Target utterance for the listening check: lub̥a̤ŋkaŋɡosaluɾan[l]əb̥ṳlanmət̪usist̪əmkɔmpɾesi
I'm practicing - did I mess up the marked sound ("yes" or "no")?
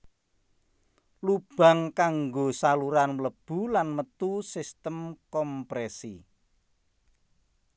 no